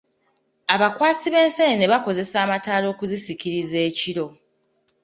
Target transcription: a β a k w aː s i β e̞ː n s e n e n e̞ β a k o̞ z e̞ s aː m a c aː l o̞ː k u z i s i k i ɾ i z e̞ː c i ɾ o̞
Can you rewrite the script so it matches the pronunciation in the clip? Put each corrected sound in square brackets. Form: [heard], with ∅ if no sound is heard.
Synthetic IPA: a β a k w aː s i β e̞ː n s e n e n e̞ β a k o̞ z e̞ s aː m a [t] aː l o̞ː k u z i s i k i ɾ i z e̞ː c i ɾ o̞